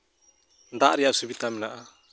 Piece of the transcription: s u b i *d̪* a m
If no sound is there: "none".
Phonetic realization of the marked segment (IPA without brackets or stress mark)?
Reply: t̪